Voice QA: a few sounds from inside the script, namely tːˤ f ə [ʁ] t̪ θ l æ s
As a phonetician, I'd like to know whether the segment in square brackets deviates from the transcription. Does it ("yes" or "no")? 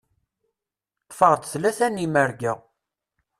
no